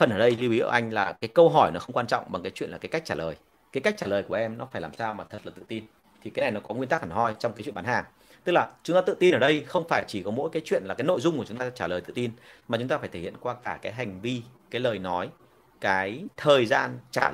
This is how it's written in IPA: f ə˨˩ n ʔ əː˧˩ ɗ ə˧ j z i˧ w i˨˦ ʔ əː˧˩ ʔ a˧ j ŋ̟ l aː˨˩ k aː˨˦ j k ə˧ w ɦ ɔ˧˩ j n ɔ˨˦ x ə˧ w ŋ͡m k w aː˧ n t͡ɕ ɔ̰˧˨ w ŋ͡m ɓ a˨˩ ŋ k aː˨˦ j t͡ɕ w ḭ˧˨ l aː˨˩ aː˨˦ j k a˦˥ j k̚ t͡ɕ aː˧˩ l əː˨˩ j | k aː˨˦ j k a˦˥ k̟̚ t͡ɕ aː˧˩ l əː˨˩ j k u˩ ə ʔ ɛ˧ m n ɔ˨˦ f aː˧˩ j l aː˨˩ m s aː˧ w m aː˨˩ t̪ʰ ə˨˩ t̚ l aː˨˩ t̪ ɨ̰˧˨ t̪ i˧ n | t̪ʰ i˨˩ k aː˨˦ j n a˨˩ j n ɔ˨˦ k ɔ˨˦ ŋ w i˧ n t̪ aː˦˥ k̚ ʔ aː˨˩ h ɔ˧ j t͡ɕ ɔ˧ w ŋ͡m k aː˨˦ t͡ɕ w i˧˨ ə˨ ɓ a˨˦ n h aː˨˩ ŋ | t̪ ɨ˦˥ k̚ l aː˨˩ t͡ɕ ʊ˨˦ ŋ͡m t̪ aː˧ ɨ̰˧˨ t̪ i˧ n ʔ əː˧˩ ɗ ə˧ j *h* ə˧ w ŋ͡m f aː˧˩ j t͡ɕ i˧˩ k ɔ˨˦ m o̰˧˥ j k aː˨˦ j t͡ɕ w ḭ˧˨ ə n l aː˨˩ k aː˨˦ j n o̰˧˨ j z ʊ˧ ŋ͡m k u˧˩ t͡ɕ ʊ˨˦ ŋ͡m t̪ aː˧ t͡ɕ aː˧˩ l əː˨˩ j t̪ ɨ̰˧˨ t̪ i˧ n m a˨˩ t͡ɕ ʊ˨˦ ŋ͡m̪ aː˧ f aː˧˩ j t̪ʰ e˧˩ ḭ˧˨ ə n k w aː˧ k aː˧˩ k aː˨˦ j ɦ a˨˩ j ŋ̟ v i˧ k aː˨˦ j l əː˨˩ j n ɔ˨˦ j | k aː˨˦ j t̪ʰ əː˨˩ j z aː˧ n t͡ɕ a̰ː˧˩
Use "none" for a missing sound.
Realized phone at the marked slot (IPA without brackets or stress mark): x